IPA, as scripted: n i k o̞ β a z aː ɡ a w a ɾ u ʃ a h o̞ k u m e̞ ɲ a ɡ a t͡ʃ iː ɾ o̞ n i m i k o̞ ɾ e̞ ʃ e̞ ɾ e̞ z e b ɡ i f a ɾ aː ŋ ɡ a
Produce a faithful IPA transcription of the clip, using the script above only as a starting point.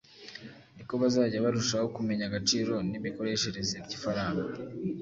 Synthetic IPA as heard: n i k o̞ β a z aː ɟ a β a ɾ u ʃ a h o̞ k u m e̞ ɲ a ɡ a t͡ʃ iː ɾ o̞ n i m i k o̞ ɾ e̞ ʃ e̞ ɾ e̞ z e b ɟ i f a ɾ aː ŋ ɡ a